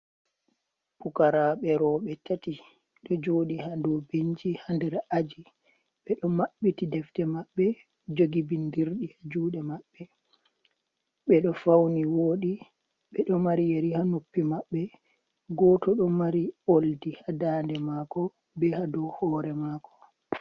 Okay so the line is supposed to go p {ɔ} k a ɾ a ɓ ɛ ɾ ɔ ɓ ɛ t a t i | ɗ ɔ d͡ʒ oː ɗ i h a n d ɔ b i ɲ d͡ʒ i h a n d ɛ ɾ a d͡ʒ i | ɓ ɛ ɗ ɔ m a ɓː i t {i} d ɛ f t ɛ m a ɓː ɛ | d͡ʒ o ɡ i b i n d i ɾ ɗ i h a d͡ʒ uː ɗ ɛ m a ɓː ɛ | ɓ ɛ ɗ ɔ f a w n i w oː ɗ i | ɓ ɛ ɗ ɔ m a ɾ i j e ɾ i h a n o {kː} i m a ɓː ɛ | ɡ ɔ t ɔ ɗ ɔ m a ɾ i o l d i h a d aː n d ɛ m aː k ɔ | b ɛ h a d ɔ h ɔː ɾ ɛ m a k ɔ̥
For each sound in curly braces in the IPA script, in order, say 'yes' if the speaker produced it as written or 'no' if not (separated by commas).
no, yes, no